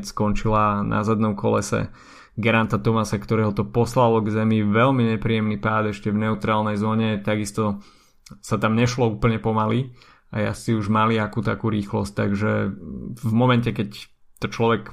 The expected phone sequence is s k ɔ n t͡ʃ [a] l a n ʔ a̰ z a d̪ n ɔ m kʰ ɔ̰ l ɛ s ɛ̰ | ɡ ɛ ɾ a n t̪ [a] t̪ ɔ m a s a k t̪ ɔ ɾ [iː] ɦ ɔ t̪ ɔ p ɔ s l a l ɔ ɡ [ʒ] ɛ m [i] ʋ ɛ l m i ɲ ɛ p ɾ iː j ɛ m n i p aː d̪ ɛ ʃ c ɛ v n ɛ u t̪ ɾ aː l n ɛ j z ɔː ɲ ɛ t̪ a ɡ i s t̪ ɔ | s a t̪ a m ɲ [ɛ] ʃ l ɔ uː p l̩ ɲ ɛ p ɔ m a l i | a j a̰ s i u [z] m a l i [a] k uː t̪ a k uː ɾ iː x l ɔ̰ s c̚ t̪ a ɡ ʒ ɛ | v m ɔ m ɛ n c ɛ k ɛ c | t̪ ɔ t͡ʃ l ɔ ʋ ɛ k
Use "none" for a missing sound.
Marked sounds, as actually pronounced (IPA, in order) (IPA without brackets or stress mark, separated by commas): i, a, ɛː, z, i, ɛ, ʒ, a